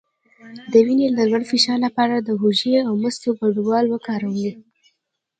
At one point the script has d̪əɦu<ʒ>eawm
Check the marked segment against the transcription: correct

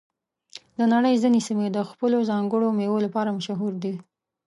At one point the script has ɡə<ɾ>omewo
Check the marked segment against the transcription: incorrect: ɽ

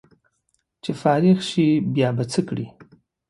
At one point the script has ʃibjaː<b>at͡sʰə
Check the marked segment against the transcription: correct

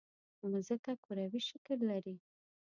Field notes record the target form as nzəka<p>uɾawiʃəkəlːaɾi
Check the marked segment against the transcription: incorrect: k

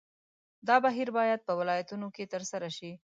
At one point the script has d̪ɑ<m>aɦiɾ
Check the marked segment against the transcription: incorrect: b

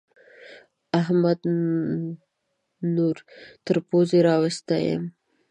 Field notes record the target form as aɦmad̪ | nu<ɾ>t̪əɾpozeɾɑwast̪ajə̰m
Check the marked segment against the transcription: correct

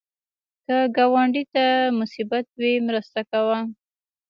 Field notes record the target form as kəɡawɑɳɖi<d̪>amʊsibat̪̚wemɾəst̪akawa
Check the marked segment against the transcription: incorrect: t̪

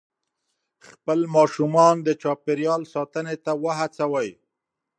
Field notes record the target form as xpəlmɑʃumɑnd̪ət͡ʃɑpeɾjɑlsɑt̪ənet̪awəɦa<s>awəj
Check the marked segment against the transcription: incorrect: t͡s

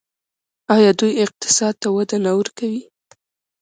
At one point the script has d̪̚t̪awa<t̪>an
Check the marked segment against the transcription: incorrect: d̪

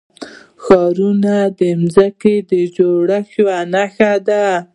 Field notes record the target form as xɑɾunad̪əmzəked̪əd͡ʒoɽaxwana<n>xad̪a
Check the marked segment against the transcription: incorrect: none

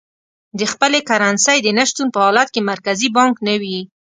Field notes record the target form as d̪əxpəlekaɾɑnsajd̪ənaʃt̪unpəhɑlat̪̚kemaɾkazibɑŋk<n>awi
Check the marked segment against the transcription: correct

